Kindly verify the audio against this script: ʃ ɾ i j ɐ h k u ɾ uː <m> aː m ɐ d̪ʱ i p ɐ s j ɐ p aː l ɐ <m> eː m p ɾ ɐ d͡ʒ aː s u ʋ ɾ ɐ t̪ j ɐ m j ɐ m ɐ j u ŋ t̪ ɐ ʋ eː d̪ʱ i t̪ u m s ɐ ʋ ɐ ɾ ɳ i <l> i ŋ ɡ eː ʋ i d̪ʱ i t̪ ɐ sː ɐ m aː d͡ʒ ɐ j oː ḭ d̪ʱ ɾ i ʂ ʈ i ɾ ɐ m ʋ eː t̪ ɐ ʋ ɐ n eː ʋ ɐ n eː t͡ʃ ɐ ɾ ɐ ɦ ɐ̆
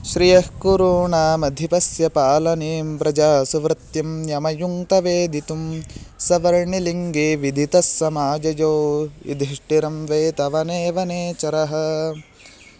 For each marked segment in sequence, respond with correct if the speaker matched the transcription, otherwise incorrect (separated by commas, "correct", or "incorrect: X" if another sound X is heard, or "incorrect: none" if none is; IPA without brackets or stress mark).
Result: incorrect: ɳ, incorrect: n, correct